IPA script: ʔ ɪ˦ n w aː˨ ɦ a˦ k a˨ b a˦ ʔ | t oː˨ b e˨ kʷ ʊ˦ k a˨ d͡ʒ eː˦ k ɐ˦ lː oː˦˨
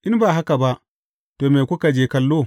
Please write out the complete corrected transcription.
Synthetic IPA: ʔ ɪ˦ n b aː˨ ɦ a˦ k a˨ b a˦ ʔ | t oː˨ m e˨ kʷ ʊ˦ k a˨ d͡ʒ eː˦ k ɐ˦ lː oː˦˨